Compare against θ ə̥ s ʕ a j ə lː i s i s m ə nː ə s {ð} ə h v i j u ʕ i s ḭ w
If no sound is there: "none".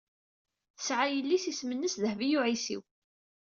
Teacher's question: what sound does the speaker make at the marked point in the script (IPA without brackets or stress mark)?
ð